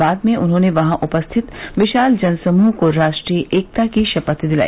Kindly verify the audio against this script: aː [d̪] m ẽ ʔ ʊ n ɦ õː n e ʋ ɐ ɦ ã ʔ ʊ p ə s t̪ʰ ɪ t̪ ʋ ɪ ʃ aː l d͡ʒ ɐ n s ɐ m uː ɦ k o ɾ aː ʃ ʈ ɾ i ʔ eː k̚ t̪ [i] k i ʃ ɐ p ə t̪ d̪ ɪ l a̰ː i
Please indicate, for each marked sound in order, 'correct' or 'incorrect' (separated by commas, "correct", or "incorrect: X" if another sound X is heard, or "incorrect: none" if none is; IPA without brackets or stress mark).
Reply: correct, incorrect: a